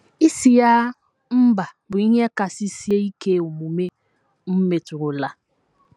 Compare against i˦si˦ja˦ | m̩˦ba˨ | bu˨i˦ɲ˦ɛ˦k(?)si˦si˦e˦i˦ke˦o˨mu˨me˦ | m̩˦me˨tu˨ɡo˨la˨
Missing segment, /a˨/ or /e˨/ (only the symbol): a˨